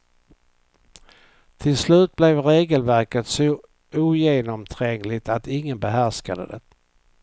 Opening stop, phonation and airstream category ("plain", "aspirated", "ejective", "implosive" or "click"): aspirated